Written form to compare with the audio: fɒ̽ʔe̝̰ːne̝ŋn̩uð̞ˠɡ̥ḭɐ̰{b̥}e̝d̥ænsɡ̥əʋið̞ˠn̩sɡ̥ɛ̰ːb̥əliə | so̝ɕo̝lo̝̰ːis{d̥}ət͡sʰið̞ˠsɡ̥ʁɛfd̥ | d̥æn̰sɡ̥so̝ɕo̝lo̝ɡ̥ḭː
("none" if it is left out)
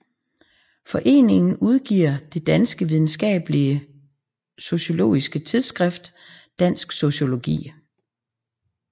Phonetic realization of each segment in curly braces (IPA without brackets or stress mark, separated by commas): d̥, ɡ̥